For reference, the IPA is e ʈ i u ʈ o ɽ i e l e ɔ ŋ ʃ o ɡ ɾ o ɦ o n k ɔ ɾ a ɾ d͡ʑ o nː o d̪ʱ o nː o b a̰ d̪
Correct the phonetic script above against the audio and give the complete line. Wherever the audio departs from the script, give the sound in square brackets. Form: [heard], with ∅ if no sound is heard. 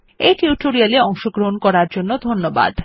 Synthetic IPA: e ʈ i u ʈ o [ɾ] i [a] l e ɔ ŋ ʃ o ɡ ɾ o ɦ o n k ɔ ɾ a ɾ d͡ʑ o nː o d̪ʱ o nː o b a̰ d̪